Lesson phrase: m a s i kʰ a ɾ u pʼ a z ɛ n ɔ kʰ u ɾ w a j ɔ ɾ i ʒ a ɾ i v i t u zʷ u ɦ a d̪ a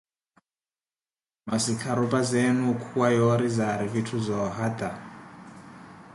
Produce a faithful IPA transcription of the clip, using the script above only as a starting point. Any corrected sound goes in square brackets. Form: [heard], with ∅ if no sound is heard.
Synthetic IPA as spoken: m a s i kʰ a ɾ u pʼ a z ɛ n [u] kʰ u [∅] w a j ɔ ɾ i [z] a ɾ i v i [tʰ] u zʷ [ɔ] ɦ a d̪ a